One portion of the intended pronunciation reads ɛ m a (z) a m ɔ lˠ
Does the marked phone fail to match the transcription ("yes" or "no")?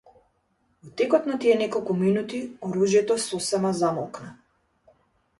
no